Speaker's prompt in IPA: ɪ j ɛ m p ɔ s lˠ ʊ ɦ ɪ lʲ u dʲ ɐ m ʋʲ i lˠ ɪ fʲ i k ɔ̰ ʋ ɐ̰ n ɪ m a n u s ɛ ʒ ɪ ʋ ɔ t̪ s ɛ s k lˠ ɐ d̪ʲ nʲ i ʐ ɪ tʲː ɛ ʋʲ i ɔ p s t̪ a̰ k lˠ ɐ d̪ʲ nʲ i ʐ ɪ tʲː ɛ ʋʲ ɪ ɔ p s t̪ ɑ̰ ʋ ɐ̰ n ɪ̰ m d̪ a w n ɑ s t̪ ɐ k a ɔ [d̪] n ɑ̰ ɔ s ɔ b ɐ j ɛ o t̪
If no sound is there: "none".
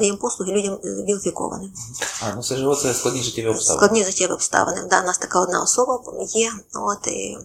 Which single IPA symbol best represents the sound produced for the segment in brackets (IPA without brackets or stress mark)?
d̪